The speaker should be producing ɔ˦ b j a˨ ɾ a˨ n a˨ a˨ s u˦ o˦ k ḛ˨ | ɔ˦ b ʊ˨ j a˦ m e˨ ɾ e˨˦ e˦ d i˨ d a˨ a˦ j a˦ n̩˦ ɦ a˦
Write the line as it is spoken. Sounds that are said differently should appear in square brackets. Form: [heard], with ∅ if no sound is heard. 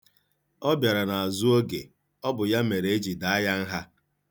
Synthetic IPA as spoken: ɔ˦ b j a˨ ɾ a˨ n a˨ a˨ [z] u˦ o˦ [ɡ] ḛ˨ | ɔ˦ b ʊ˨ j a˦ m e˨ ɾ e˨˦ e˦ [d͡ʒ] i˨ d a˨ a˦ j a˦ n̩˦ ɦ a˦